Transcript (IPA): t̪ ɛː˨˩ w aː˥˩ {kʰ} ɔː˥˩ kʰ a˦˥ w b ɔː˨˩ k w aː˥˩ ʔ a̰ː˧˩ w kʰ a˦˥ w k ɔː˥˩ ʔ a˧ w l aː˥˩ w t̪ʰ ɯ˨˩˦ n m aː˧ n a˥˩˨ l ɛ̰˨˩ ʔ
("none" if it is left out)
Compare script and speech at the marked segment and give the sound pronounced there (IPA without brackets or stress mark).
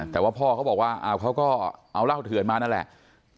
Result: pʰ